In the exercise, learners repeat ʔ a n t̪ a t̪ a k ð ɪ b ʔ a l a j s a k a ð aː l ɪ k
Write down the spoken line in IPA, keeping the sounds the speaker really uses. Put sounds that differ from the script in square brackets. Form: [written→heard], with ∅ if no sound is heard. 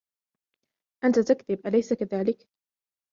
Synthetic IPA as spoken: ʔ a n t̪ a t̪ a k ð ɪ b ʔ a l a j s a k a ð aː l ɪ k